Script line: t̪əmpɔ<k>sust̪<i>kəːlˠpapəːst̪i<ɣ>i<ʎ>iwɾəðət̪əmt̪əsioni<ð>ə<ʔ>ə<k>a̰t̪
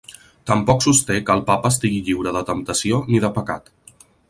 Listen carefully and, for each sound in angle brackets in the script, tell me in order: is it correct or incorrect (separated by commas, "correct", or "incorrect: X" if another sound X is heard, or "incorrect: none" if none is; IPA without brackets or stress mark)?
correct, incorrect: e, correct, correct, correct, incorrect: p, correct